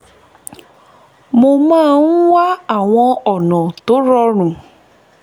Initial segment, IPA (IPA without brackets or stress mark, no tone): m